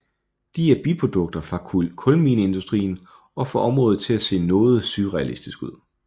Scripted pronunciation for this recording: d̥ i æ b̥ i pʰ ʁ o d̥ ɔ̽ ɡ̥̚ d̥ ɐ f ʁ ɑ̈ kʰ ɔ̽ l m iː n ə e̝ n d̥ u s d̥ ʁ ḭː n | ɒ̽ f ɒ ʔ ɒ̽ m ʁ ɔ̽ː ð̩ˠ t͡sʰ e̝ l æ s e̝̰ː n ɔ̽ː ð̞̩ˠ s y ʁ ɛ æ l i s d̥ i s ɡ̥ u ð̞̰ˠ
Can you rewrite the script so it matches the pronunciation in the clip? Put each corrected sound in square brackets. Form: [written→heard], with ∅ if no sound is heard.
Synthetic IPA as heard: d̥ i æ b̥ i pʰ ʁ o d̥ ɔ̽ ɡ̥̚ d̥ ɐ f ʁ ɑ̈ kʰ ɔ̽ l m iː n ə e̝ n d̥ u s d̥ ʁ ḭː n | ɒ̽ f ɒ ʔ ɒ̽ m ʁ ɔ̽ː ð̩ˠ t͡sʰ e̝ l æ s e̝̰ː n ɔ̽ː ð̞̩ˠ s y ʁ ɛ æ l i s d̥ i s ɡ̥ u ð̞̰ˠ